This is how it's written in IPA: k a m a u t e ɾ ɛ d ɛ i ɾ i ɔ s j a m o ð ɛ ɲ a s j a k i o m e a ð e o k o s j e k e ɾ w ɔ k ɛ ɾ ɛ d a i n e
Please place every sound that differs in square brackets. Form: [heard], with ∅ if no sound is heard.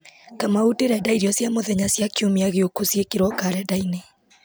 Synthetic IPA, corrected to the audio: k a m a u t e ɾ ɛ d [a] i ɾ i ɔ s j a m o ð ɛ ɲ a s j a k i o m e a [ɣ] e o k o s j e k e ɾ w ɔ k [a] ɾ ɛ d a i n e